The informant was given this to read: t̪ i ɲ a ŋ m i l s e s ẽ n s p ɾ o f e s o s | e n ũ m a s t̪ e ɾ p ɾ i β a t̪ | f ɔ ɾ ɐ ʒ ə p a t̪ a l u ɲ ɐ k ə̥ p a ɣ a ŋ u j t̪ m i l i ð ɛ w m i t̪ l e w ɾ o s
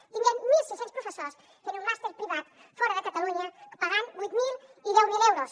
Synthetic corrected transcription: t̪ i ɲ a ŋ m i l s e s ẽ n s p ɾ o f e s o s | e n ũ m a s t̪ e ɾ p ɾ i β a t̪ | f ɔ ɾ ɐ ð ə k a t̪ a l u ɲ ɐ k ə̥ p a ɣ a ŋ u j t̪ m i l i ð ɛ w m i l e w ɾ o s